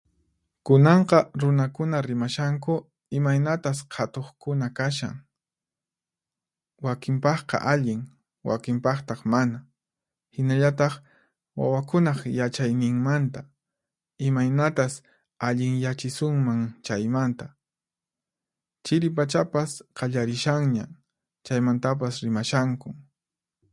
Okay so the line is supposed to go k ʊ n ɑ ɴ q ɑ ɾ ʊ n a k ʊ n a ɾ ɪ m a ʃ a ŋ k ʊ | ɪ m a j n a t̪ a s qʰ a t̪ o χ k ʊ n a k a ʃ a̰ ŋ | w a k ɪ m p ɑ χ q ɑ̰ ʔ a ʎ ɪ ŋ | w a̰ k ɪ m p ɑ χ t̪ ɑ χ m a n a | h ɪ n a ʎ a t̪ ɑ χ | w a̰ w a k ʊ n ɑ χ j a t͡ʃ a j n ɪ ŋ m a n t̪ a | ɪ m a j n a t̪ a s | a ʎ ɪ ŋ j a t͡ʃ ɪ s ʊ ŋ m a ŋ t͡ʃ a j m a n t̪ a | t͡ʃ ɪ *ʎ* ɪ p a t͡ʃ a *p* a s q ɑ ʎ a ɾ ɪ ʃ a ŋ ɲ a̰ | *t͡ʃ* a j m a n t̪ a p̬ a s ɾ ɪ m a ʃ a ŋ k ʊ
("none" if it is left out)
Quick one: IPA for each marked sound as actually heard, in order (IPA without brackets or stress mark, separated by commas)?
ɾ, p, t͡ʃ